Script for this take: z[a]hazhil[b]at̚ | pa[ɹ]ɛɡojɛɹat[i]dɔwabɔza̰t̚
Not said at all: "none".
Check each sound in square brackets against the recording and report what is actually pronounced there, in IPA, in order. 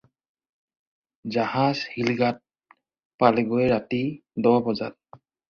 a, ɡ, l, i

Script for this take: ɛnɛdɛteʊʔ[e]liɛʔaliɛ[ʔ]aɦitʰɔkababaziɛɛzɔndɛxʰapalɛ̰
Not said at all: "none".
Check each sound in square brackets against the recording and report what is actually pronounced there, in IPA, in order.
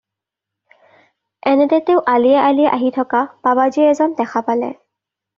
a, ʔ

